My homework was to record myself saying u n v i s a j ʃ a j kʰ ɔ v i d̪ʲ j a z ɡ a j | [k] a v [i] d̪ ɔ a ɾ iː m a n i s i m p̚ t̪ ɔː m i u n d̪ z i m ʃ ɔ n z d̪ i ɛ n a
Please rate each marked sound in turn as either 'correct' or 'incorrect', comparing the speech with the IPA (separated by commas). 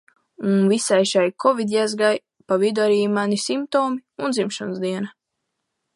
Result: incorrect, correct